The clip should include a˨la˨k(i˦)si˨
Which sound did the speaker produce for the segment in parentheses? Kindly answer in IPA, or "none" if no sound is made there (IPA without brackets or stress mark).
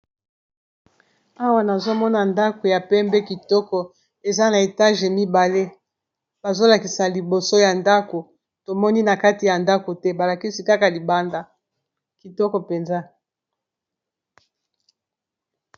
i˦